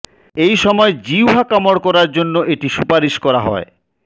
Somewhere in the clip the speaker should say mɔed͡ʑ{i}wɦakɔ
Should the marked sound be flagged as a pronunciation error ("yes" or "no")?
no